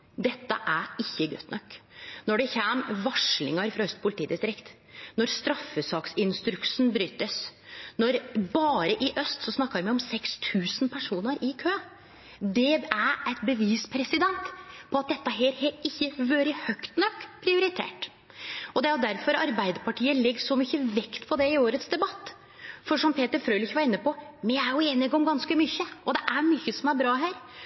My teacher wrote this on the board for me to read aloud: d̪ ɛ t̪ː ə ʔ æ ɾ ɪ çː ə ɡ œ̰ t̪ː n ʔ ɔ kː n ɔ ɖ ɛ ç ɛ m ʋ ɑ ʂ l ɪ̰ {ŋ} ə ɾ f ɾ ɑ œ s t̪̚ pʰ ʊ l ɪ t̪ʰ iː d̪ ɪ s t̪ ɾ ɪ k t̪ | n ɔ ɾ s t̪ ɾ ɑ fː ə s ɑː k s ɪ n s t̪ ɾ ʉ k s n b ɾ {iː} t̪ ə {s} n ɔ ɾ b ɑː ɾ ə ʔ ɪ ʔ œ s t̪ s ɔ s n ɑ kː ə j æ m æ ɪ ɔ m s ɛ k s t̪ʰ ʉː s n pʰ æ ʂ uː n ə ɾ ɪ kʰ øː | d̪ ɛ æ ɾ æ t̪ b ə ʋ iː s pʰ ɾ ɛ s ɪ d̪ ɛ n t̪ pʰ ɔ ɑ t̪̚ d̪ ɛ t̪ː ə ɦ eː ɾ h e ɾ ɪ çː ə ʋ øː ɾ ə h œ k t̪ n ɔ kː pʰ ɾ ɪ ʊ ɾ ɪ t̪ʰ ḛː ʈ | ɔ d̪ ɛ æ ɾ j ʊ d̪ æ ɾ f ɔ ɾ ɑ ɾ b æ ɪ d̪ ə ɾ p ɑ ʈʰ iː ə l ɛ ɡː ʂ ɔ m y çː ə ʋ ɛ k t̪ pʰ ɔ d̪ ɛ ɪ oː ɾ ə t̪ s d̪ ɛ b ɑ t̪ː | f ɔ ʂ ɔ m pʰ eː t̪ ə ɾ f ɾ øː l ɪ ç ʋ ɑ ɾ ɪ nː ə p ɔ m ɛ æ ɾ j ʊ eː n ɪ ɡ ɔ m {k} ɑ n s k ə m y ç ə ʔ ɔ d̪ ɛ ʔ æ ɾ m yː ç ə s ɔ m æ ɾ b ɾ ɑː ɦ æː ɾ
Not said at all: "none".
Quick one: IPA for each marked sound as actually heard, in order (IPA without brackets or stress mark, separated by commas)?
ŋ, yː, s, ɡ